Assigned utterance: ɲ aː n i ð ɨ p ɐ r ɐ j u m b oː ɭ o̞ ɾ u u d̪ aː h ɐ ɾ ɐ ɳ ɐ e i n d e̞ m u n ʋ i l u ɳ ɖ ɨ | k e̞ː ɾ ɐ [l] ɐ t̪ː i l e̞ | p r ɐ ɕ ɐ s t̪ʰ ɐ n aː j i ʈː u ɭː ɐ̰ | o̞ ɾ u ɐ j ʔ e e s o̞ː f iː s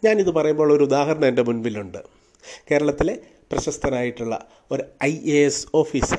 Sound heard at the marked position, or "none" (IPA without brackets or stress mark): ɭ